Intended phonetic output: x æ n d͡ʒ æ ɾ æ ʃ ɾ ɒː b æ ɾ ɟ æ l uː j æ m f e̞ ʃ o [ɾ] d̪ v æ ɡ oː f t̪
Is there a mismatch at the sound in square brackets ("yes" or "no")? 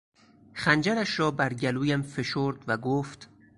no